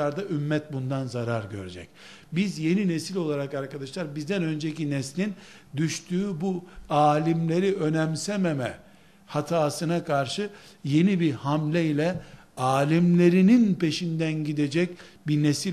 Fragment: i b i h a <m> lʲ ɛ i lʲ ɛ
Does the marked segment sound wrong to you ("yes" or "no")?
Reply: no